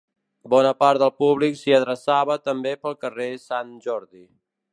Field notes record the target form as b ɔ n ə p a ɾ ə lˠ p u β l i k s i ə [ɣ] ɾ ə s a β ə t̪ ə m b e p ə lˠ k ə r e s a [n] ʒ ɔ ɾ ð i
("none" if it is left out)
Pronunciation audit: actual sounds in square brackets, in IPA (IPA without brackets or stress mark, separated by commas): ð, n